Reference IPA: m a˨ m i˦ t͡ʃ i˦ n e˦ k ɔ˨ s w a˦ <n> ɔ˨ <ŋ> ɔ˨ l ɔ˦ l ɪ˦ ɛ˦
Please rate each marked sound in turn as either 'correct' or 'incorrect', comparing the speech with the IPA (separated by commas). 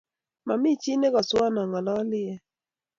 correct, correct